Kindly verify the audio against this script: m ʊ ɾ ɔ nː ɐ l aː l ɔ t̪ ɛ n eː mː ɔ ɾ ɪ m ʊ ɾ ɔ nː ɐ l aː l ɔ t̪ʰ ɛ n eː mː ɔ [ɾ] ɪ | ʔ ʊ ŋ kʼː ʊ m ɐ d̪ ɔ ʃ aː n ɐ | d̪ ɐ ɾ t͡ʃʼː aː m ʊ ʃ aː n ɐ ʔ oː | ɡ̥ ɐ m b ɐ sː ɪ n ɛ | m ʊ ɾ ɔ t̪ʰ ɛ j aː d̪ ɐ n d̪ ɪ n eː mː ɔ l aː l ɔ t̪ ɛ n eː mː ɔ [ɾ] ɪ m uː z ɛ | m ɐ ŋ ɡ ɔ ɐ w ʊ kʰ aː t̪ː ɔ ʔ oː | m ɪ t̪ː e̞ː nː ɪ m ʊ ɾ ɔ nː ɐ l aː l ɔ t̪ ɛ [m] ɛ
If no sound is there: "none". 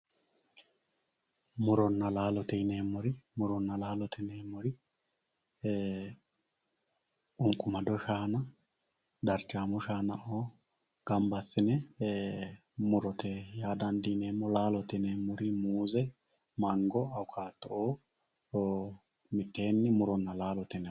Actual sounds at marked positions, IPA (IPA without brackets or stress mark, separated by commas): ɾ, ɾ, n